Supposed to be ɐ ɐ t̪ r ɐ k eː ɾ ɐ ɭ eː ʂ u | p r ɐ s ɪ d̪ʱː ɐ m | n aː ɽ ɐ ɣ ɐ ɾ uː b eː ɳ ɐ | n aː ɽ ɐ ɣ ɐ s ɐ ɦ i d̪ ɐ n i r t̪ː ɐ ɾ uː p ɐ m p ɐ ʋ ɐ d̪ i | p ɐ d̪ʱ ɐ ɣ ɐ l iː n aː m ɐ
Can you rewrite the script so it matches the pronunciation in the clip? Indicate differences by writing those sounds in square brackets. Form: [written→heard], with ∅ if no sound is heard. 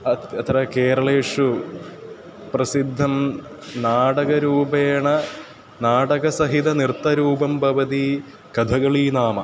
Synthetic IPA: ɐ ɐ t̪ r ɐ k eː ɾ ɐ ɭ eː ʂ u | p r ɐ s [ɪ→i] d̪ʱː ɐ m | n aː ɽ ɐ ɣ ɐ ɾ uː b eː ɳ ɐ | n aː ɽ ɐ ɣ ɐ s ɐ ɦ i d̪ ɐ n i r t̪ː ɐ ɾ uː [p→b] ɐ m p ɐ ʋ ɐ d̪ i | [p→k] ɐ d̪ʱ ɐ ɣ ɐ [l→ɭ] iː n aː m ɐ